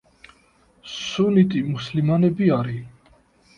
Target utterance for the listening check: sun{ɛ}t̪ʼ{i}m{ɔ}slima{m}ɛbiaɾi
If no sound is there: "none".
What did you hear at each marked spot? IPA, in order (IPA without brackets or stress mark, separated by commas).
i, i, u, n